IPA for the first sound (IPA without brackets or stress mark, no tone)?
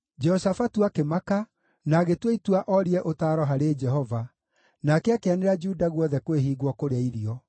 d͡ʒ